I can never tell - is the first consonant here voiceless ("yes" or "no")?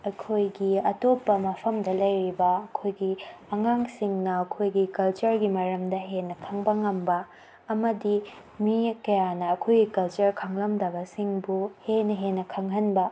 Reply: yes